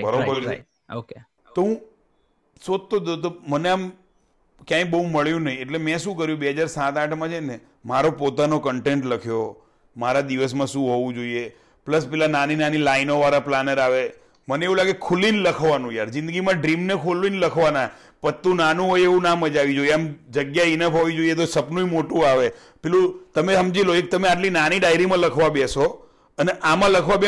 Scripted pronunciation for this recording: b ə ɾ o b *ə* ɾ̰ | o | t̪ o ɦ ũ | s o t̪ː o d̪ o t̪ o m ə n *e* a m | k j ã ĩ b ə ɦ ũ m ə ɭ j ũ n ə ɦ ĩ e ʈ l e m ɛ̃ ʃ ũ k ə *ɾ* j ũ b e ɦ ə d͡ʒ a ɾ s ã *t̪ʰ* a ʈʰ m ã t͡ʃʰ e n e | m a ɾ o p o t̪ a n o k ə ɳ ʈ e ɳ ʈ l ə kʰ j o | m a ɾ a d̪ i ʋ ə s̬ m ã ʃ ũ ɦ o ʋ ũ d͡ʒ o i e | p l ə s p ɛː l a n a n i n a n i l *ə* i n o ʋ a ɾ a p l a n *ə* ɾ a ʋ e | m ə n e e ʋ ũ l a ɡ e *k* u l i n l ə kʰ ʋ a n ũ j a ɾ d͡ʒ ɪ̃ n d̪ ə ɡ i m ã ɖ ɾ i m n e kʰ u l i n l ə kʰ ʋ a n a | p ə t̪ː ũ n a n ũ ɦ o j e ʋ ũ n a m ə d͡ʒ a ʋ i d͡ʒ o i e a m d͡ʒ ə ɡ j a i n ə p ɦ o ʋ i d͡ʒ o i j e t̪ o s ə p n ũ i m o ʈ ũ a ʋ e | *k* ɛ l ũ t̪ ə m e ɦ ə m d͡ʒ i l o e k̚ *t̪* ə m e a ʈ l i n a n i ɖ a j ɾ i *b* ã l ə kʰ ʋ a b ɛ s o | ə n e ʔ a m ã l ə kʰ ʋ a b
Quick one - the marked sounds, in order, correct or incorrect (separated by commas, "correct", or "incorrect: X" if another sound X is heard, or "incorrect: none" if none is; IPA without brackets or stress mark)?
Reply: correct, correct, correct, incorrect: t̪, incorrect: a, correct, incorrect: kʰ, incorrect: p, correct, incorrect: m